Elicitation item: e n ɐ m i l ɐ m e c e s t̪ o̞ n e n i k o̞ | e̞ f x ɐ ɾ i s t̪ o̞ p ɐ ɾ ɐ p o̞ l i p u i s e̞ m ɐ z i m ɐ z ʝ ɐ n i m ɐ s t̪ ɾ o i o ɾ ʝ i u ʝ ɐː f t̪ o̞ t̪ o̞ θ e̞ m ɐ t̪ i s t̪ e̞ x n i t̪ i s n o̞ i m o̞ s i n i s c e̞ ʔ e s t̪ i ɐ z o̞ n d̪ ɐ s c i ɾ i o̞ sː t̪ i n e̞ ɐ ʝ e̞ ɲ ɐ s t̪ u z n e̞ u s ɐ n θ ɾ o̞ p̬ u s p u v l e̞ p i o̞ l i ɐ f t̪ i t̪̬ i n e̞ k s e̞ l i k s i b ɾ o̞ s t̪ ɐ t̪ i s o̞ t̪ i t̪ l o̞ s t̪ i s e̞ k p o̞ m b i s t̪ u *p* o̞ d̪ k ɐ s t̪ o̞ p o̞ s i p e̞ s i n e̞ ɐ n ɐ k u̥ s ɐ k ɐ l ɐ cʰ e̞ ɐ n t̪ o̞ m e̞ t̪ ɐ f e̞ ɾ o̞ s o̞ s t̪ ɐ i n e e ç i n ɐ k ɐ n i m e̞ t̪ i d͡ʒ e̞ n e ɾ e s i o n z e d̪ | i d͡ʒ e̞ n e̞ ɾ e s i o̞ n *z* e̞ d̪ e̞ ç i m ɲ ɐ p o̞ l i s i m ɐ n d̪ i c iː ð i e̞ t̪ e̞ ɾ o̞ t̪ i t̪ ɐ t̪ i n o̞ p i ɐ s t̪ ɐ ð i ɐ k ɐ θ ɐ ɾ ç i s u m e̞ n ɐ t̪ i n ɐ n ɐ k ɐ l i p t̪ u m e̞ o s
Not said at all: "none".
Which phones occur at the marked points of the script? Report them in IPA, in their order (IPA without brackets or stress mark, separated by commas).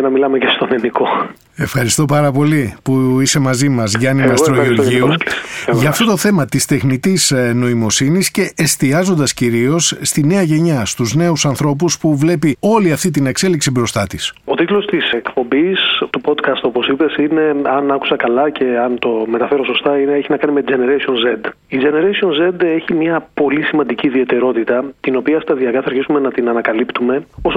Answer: p, z